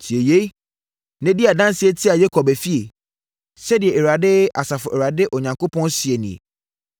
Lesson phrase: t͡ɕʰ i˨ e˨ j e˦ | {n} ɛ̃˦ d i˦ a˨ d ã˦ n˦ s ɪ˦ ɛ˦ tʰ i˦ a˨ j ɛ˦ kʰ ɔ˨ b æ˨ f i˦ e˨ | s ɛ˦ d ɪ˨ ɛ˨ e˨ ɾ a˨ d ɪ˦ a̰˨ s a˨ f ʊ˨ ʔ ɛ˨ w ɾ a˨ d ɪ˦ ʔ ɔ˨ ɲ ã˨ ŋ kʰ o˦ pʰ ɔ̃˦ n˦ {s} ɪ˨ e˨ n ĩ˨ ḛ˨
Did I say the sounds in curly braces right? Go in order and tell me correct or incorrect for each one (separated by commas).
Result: correct, correct